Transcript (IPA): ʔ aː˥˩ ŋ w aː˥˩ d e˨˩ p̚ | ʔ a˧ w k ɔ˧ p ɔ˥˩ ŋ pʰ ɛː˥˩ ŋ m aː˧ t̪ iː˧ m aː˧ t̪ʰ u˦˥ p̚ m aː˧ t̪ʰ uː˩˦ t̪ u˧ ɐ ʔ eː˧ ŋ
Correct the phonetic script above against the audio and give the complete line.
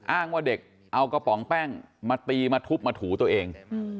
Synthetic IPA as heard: ʔ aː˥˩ ŋ w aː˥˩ d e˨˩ k̚ | ʔ a˧ w k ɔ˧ p ɔ˩˦ ŋ p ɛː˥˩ ŋ m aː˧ t̪ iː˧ m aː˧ t̪ʰ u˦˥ p̚ m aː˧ t̪ʰ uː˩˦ t̪ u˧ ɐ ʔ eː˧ ŋ